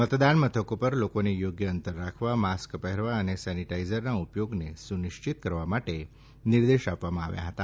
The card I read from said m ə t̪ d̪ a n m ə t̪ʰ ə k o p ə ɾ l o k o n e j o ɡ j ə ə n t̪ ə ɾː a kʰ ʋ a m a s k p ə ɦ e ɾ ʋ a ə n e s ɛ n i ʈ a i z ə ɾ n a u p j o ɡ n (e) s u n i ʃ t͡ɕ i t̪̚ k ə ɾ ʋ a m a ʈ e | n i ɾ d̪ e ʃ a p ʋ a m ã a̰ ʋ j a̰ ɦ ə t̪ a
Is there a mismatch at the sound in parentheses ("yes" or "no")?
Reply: no